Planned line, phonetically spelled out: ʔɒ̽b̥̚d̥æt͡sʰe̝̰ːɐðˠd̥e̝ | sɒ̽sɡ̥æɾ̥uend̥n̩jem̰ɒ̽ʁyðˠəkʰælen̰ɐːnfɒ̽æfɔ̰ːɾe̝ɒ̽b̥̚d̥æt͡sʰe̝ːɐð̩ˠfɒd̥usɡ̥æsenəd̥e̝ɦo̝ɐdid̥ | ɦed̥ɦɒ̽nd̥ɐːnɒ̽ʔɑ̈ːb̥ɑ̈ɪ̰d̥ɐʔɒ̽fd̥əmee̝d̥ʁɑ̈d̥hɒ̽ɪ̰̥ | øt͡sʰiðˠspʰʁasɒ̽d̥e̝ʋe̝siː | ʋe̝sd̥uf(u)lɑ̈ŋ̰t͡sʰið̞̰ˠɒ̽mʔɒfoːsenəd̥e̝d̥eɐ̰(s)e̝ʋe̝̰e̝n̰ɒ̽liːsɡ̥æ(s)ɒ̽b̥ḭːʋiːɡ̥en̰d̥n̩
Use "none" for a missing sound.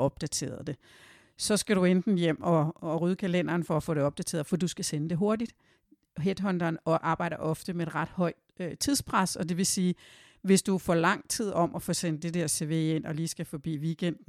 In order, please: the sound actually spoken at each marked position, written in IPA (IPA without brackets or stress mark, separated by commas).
ɒ, s, f